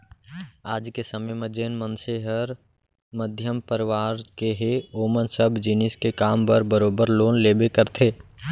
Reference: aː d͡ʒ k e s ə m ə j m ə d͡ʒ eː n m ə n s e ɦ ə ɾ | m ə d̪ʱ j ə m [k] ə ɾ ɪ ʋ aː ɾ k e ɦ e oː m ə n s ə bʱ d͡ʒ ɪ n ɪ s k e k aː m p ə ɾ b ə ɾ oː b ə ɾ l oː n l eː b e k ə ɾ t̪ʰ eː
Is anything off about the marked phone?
yes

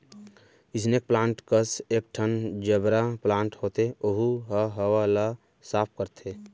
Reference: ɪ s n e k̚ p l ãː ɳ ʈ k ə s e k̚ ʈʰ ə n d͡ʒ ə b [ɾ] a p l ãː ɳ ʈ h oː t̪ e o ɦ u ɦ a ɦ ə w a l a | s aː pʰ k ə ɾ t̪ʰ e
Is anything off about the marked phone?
no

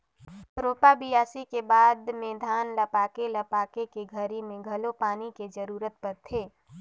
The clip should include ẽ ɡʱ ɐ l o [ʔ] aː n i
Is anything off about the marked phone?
yes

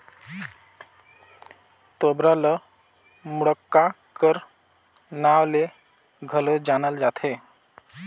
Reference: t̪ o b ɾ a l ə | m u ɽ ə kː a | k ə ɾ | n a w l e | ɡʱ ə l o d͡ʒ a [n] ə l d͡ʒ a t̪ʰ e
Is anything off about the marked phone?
no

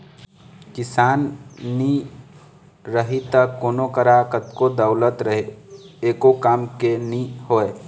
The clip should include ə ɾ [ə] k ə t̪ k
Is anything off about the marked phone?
yes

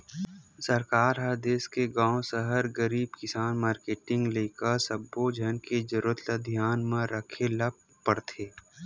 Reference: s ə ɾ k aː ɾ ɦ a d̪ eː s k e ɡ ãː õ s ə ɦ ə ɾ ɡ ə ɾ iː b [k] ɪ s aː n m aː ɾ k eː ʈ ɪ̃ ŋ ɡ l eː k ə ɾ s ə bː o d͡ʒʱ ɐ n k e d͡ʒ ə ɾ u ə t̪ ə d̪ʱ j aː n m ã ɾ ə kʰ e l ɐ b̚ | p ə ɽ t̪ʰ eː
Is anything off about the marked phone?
no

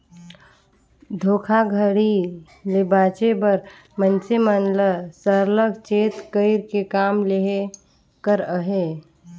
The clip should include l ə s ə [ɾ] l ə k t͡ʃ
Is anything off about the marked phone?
no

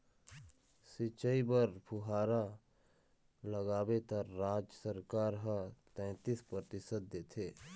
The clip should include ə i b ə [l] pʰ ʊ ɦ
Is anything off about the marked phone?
yes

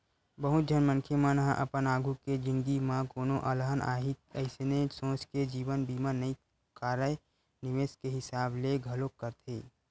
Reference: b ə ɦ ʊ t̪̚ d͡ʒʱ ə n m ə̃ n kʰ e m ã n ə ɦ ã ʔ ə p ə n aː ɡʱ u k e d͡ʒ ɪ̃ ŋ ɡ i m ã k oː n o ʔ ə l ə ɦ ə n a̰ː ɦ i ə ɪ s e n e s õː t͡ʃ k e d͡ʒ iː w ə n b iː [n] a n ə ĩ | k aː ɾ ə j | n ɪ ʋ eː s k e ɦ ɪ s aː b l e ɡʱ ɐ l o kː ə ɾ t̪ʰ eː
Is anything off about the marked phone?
yes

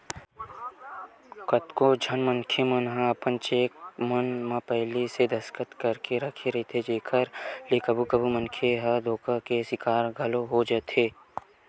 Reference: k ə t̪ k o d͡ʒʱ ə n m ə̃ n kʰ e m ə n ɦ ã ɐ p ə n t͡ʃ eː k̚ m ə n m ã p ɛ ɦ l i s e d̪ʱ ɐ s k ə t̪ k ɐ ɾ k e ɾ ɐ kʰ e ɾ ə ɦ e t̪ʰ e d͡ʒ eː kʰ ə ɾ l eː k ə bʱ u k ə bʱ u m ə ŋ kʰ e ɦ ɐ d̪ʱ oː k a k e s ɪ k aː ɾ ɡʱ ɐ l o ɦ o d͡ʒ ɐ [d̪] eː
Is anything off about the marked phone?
yes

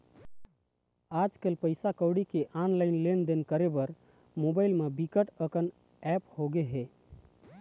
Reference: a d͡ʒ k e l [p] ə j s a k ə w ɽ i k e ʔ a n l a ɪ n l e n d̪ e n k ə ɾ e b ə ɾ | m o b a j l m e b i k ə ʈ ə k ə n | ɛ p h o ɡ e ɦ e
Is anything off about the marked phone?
no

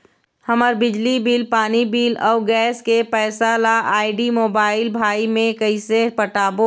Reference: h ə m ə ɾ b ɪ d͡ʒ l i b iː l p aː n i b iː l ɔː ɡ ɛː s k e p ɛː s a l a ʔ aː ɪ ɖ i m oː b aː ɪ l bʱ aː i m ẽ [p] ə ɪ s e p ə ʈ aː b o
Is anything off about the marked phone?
yes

